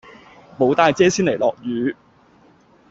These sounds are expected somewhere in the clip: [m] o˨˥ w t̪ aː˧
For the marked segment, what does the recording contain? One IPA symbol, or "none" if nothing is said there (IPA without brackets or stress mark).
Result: m